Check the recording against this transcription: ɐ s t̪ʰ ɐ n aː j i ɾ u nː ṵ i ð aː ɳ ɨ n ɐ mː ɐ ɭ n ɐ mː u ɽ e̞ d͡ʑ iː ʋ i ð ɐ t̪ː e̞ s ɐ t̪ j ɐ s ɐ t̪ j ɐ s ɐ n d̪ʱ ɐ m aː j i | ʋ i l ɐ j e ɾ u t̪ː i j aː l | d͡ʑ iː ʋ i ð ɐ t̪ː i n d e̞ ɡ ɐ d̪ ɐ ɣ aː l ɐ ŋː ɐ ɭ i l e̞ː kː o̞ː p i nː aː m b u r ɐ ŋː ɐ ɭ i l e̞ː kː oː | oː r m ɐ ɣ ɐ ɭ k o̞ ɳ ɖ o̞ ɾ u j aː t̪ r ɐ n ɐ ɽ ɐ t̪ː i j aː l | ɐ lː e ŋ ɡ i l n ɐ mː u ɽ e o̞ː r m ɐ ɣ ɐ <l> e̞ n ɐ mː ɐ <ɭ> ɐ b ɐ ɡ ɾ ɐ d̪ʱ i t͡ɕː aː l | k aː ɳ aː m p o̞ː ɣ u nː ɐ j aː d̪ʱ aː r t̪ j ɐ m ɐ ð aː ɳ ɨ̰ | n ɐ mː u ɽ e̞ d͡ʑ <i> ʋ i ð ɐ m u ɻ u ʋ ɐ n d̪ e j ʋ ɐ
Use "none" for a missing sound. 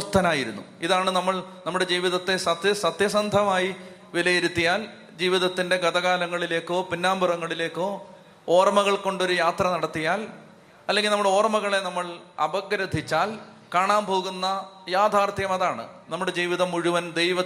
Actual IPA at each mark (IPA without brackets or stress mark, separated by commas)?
ɭ, ɭ, iː